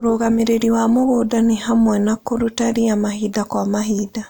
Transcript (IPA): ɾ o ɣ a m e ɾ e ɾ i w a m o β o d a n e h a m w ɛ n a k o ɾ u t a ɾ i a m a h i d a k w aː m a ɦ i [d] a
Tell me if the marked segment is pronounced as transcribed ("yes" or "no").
yes